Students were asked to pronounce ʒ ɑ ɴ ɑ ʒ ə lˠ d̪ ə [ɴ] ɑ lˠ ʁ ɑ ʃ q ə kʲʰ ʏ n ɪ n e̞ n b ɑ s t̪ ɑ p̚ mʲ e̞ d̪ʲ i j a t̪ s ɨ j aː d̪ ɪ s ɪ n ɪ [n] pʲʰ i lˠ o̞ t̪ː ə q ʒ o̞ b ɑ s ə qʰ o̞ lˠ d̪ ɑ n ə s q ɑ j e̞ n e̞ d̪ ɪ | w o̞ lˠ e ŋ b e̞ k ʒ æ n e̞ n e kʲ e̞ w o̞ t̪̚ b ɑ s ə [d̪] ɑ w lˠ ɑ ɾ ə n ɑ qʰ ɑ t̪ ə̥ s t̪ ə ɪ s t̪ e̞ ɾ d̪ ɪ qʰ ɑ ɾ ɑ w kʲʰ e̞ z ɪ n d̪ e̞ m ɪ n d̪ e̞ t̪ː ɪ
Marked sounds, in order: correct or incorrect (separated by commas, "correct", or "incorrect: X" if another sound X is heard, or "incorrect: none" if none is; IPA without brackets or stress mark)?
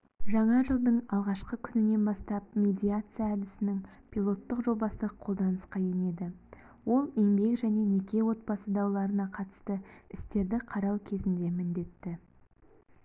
correct, incorrect: ŋ, correct